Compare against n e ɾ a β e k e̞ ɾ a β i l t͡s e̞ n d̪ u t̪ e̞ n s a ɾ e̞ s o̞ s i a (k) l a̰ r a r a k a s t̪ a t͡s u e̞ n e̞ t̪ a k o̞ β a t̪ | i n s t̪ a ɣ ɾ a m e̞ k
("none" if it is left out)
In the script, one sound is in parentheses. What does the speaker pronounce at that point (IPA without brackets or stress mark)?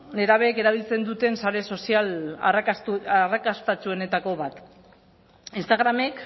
none